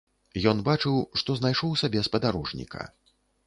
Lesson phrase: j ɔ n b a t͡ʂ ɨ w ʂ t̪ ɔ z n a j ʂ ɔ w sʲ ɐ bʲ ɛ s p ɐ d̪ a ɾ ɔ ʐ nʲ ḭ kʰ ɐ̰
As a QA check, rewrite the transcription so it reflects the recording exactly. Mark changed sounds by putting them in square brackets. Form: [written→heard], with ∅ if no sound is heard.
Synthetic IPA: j ɔ n b a t͡ʂ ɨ w ʂ t̪ ɔ z n a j ʂ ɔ w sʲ [ɐ→a] bʲ ɛ s p ɐ d̪ a ɾ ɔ ʐ nʲ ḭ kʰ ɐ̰